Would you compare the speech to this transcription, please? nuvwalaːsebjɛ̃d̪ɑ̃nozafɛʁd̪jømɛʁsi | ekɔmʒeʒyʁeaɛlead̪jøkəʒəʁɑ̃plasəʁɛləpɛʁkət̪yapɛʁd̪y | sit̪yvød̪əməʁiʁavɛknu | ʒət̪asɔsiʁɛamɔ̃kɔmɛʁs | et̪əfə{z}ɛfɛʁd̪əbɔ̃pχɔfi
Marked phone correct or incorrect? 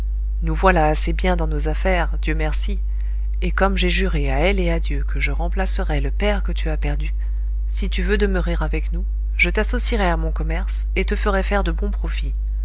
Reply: incorrect